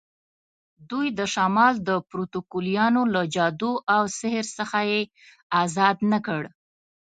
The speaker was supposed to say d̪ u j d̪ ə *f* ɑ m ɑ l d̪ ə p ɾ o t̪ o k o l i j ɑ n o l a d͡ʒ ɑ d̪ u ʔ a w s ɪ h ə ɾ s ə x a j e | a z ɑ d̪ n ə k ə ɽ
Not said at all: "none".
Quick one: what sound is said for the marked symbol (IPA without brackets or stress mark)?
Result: ʃ